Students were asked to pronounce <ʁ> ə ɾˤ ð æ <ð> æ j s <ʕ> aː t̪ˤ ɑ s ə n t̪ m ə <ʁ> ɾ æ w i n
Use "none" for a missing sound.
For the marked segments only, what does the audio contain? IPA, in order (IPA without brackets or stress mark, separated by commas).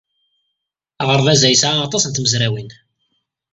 ʁ, z, ʕ, z